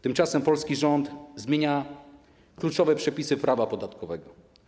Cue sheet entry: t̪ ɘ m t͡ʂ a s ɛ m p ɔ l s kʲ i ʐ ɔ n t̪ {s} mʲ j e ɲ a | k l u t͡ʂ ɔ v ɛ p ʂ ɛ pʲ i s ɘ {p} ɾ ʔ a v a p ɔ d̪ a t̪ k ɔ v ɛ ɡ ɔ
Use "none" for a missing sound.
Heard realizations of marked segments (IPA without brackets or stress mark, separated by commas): z, p